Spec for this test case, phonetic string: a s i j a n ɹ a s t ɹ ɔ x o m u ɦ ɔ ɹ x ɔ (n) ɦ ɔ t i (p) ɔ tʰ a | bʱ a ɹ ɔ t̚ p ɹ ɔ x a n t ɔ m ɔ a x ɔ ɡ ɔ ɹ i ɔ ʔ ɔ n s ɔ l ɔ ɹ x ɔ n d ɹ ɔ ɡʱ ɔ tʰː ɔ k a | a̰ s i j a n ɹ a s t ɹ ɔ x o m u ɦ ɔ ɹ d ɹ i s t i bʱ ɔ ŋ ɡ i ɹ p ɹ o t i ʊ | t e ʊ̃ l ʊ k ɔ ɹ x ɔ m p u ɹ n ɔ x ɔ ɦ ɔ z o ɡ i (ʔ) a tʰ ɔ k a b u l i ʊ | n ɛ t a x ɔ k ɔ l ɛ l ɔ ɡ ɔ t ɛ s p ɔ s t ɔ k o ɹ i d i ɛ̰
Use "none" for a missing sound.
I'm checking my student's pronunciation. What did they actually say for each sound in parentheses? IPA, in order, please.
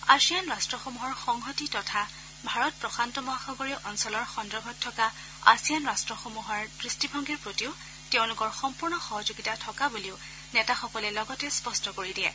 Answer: ŋ, t, t

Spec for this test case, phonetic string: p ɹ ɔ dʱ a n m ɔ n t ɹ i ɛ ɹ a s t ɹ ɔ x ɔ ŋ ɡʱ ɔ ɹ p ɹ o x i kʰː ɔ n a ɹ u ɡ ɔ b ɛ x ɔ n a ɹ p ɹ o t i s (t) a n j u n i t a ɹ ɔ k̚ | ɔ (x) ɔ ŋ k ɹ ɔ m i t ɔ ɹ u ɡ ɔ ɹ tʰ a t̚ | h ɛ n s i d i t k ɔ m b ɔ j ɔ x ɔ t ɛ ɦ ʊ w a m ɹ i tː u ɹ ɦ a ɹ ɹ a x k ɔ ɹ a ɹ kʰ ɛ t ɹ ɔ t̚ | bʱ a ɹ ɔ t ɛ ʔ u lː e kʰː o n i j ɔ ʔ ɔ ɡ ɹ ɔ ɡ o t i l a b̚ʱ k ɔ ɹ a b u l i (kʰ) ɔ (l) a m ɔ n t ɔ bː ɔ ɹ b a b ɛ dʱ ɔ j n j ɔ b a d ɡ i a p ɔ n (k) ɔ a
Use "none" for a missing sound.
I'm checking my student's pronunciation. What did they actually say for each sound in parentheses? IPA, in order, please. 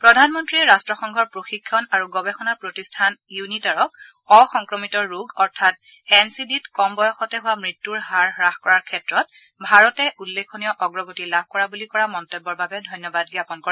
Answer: tʰ, x, k, ɹ, k

